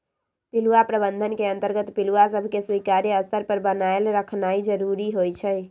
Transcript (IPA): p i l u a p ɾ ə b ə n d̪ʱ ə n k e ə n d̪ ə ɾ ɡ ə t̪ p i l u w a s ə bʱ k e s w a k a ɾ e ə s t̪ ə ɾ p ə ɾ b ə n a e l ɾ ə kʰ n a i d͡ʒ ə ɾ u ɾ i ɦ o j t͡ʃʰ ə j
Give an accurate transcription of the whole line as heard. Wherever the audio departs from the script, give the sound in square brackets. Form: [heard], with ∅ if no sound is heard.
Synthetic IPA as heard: p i l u a p ɾ ə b ə n d̪ʱ ə n k e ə n [t̪] ə ɾ ɡ ə t̪ p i l u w a s ə bʱ k e s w [i] k a ɾ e ə s t̪ ə ɾ p ə ɾ b ə n a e l ɾ ə kʰ n a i d͡ʒ ə ɾ u ɾ i ɦ o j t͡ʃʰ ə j

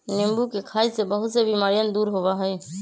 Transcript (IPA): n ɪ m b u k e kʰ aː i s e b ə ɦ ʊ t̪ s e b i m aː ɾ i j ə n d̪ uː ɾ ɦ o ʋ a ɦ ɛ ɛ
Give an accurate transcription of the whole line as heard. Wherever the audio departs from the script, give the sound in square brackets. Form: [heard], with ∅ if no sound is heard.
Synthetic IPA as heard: n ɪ m b u k e kʰ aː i s e b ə ɦ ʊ t̪ s e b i m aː ɾ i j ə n d̪ uː ɾ ɦ o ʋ a ɦ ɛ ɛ

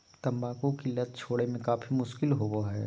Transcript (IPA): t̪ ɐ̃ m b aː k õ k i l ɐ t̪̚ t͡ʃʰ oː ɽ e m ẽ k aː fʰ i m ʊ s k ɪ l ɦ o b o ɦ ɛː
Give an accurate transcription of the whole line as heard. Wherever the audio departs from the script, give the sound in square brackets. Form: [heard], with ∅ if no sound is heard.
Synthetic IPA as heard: t̪ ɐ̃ m b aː k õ k i l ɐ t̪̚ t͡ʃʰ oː ɽ e m ẽ k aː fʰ i m ʊ [ʃ] k ɪ l ɦ o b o ɦ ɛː

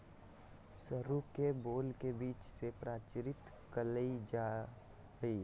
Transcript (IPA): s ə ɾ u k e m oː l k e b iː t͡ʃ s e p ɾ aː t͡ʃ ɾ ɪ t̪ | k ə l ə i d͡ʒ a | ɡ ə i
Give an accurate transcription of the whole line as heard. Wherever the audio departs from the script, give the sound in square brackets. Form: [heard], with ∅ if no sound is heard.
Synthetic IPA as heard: s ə ɾ u k e [b] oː l k e b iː t͡ʃ s e p ɾ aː t͡ʃ ɾ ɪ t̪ | k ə l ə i d͡ʒ a | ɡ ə i

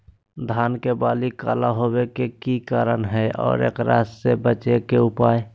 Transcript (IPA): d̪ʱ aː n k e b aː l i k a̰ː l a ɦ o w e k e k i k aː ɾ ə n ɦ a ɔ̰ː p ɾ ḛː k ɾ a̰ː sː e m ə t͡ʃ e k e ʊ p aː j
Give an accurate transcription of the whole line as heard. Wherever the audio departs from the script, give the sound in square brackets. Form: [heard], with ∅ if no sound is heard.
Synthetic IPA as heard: d̪ʱ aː n k e b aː l i k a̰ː l a ɦ o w e k e k i k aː ɾ ə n ɦ [ɛ] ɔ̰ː [∅] ɾ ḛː k ɾ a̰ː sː e [b] ə t͡ʃ e k e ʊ p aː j

